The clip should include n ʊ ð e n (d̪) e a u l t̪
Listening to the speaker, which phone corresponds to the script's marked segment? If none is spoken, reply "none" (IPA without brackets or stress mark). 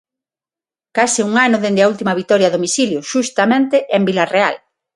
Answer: d̪